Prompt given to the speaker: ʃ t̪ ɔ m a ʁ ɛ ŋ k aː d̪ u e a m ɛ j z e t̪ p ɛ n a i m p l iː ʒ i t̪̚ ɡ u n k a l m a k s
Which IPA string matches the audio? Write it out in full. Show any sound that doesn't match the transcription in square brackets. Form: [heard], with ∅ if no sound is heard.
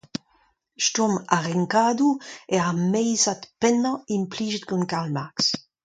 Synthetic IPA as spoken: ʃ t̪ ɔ m a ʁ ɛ ŋ k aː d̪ u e a m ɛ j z [a] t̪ p ɛ n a i m p l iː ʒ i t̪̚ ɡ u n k a l m a k s